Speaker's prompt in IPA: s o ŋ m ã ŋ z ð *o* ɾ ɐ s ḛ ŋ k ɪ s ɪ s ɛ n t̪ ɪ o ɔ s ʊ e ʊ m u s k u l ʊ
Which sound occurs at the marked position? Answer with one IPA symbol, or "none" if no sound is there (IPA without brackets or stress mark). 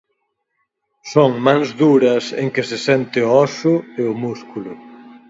u